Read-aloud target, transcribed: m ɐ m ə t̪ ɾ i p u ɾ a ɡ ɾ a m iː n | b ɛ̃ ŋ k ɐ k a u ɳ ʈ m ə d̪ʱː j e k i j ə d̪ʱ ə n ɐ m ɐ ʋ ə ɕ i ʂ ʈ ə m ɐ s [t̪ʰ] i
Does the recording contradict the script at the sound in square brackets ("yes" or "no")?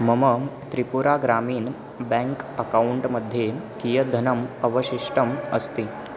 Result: yes